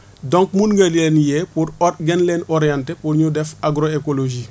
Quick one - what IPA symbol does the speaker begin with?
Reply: d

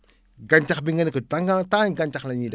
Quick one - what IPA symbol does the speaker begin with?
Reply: ɡ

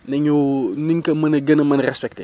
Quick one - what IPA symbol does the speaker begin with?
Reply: n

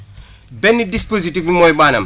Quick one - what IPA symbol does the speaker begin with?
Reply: b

